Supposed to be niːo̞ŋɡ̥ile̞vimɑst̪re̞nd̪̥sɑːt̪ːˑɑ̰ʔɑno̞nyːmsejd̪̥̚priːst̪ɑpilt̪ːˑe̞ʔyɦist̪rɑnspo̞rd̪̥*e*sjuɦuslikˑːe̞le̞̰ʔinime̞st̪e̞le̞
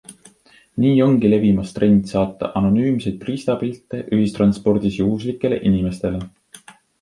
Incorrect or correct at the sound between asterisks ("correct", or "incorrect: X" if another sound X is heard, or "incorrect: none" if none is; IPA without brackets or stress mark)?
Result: incorrect: i